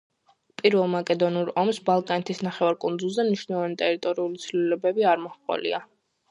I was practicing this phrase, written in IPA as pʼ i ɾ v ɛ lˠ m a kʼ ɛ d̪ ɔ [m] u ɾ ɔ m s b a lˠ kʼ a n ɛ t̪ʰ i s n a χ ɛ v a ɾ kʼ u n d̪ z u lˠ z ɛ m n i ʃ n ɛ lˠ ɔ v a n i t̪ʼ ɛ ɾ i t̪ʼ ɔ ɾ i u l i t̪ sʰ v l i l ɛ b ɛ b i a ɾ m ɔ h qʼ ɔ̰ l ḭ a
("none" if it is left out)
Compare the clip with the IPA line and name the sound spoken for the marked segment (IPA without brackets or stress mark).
n